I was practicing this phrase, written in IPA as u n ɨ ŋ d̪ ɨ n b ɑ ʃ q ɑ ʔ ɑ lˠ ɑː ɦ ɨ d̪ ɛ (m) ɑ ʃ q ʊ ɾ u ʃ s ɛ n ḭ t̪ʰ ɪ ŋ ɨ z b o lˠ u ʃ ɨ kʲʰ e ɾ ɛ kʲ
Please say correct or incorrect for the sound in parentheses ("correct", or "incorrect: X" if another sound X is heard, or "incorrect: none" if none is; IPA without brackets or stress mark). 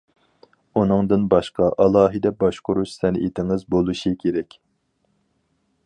incorrect: b